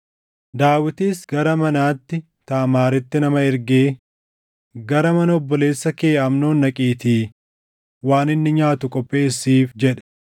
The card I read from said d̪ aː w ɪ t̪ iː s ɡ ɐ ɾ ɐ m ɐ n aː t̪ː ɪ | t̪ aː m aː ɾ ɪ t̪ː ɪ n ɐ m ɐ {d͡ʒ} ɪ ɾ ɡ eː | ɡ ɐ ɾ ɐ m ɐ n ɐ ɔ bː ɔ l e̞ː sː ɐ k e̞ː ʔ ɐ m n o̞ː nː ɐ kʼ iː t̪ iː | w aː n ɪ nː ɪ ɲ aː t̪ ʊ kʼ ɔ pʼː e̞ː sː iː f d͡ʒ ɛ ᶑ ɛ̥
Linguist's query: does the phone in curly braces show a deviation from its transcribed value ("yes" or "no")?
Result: yes